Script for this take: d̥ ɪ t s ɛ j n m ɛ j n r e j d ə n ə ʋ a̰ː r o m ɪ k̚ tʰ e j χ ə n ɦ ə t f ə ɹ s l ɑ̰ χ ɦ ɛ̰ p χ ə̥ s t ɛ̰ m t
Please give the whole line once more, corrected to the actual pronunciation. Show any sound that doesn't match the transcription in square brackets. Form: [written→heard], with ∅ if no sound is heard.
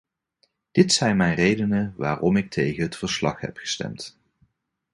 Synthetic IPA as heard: d̥ ɪ t s ɛ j n m ɛ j n r e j d ə n ə ʋ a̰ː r [o→ɔ] m ɪ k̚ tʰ e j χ ə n ɦ ə t f ə ɹ s l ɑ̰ χ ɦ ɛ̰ p χ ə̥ s t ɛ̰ m t